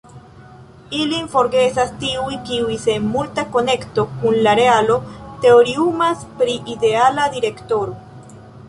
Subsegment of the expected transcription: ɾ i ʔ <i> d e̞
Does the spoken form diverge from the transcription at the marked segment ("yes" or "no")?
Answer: no